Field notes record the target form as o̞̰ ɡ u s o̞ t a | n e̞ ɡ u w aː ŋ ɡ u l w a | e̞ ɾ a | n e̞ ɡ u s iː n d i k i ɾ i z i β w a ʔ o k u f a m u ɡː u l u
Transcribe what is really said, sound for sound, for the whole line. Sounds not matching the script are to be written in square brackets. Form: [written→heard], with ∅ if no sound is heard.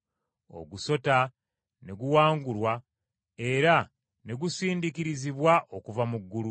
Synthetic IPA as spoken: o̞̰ ɡ u s o̞ t a | n e̞ ɡ u w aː ŋ ɡ u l w a | e̞ ɾ a | n e̞ ɡ u s iː n d i k i ɾ i z i β w a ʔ o k u [f→v] a m u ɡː u l u